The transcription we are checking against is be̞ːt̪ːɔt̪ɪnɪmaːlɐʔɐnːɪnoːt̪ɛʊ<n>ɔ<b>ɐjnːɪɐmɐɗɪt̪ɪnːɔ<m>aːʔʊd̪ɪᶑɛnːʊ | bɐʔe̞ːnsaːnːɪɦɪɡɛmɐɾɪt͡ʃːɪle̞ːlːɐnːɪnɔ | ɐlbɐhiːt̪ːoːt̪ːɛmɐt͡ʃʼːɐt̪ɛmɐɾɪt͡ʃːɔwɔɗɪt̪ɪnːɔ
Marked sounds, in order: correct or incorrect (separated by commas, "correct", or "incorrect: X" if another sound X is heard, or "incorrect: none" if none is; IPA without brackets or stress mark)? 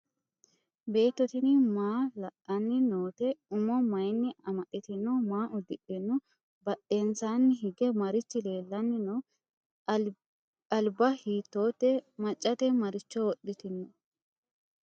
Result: incorrect: m, incorrect: m, correct